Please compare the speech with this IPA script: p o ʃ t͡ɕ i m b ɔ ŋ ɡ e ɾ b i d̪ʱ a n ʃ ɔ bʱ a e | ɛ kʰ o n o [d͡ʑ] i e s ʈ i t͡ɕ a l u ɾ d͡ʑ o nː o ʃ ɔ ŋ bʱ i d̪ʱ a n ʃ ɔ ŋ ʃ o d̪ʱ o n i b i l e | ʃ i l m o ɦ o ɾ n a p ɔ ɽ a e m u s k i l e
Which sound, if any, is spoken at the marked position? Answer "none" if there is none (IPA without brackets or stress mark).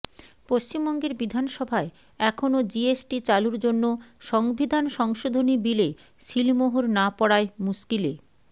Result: d͡ʑ